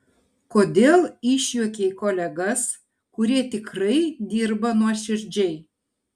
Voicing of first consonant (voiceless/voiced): voiceless